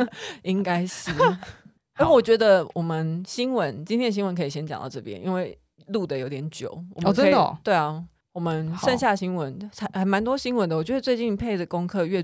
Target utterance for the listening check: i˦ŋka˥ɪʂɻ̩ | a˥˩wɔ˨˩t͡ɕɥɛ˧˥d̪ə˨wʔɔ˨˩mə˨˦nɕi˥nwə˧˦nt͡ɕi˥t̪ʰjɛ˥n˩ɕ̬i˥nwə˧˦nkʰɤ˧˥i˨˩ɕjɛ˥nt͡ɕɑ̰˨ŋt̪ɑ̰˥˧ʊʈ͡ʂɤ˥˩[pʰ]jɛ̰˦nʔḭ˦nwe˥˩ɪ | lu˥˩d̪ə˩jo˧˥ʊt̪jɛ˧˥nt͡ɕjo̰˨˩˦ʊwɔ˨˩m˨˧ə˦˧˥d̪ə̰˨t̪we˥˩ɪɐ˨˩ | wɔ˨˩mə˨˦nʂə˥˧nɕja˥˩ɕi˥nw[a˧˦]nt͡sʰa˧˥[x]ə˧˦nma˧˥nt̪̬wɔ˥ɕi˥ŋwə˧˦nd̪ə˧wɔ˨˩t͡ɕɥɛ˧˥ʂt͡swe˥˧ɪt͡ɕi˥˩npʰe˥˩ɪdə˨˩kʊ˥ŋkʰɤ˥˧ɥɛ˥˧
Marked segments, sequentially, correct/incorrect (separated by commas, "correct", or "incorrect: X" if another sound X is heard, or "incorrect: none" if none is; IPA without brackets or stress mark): incorrect: p, incorrect: ə˧˦, correct